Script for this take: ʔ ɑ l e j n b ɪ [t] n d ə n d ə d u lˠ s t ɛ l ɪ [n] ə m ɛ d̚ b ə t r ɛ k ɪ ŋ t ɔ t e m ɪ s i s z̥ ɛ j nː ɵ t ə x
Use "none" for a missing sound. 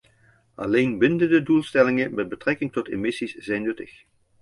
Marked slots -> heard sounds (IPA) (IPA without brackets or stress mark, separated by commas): none, ŋ